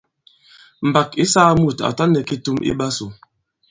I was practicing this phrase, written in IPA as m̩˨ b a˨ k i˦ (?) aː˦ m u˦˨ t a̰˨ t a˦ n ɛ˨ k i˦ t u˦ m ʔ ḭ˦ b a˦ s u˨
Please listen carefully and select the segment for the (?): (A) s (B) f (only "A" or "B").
A